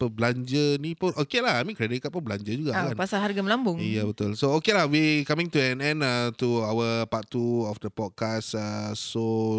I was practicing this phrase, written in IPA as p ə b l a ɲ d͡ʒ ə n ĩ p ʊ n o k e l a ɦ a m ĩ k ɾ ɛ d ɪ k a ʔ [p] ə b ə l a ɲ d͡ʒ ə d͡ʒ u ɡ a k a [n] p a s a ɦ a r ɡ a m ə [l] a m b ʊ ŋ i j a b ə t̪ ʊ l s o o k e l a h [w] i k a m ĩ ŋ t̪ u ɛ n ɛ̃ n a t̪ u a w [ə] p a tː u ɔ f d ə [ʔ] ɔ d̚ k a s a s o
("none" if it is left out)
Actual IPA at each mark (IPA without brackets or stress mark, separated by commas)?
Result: p, n, l, w, ə, p